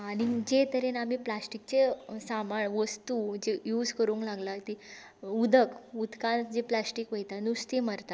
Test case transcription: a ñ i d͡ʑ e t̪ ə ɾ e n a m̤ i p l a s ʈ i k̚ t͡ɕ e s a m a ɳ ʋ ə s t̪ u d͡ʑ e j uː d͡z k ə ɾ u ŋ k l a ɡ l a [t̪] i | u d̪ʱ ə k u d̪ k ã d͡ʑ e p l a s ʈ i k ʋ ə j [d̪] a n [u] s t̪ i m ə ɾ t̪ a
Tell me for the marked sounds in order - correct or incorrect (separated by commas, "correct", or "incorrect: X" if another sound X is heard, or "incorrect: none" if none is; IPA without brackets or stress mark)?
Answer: correct, incorrect: t̪, correct